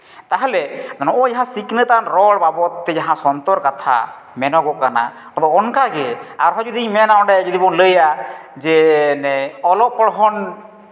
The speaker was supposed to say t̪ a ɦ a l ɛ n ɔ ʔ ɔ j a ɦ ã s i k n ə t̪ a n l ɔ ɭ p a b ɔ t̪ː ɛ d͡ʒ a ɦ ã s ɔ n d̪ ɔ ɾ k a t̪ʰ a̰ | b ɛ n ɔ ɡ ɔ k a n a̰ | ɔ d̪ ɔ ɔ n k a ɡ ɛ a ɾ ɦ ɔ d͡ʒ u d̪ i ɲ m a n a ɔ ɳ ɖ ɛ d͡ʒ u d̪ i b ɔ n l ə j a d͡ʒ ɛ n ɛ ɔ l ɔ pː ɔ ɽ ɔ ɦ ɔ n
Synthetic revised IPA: t̪ a ɦ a l ɛ n ɔ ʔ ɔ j a ɦ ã s i k n ə t̪ a n ɾ ɔ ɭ b a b ɔ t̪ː ɛ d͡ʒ a ɦ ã s ɔ n t̪ ɔ ɾ k a t̪ʰ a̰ | m ɛ n ɔ ɡ ɔ k a n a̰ | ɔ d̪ ɔ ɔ n k a ɡ ɛ a ɾ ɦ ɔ d͡ʒ u d̪ i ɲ m ɛ n a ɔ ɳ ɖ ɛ d͡ʒ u d̪ i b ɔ n l ə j a d͡ʒ ɛ n ɛ ɔ l ɔ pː ɔ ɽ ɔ ɦ ɔ n